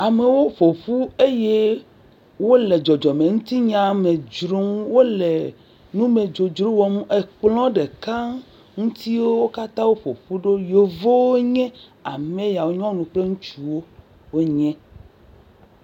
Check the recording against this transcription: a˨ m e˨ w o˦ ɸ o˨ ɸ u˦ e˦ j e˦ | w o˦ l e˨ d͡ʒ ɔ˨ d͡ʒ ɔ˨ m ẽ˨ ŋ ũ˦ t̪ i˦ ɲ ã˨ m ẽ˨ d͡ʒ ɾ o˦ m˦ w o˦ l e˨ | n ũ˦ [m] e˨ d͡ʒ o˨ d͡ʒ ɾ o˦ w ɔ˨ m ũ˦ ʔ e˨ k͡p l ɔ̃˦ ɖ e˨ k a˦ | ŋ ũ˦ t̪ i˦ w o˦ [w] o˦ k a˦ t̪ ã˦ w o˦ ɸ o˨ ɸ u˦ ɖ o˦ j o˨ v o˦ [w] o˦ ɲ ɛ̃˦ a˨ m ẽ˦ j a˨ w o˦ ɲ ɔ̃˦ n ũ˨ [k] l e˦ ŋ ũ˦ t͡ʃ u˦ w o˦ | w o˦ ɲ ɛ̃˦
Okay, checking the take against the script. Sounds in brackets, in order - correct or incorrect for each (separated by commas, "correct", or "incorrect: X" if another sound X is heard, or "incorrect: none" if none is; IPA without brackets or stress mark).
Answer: correct, correct, correct, incorrect: k͡p